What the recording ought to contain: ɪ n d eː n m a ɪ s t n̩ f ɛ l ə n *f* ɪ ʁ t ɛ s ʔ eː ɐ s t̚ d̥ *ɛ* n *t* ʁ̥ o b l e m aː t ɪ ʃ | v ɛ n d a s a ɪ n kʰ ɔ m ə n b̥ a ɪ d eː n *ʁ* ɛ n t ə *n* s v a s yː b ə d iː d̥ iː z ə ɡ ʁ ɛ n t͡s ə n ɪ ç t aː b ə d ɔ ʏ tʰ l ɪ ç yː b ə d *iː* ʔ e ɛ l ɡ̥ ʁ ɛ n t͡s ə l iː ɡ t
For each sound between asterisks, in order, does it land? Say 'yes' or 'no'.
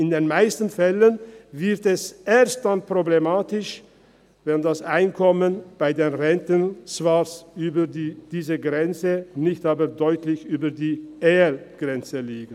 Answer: no, no, no, yes, yes, yes

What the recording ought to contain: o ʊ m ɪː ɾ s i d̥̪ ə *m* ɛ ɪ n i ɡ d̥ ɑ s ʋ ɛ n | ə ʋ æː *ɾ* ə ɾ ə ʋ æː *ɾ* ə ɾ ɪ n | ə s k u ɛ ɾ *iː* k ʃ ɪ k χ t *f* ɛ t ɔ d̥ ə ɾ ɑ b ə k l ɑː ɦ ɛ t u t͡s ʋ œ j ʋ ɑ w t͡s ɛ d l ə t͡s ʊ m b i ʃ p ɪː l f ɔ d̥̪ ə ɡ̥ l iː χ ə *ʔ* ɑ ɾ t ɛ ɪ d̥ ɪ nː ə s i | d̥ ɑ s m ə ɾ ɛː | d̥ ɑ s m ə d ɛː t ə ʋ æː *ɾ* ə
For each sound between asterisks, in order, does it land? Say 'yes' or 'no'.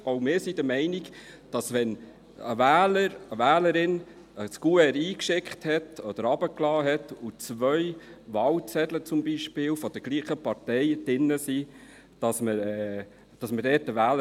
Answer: yes, no, no, yes, no, no, no

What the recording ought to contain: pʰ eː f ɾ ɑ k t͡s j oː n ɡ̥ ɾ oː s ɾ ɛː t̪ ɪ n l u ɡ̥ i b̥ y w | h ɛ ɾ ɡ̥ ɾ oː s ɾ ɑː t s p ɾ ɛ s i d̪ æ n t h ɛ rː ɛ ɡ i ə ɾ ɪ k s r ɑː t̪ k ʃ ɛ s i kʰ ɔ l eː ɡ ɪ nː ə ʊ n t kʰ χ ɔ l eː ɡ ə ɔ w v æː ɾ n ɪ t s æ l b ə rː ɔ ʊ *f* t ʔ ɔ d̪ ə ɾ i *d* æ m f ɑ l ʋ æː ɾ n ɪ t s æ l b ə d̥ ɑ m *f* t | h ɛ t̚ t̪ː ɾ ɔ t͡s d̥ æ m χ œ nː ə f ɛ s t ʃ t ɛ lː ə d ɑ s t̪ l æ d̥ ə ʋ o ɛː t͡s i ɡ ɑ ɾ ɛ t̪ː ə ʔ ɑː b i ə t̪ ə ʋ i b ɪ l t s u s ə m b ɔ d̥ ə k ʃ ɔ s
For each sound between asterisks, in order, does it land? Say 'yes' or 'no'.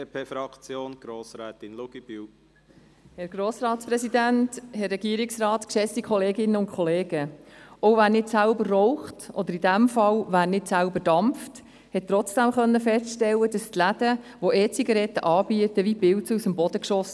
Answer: no, yes, yes

